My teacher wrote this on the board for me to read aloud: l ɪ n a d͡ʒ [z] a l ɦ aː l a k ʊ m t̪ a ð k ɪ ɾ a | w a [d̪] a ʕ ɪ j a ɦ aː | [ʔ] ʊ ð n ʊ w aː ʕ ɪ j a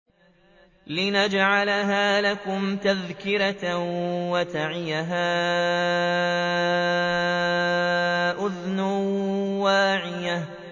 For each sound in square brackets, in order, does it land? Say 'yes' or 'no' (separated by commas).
no, no, yes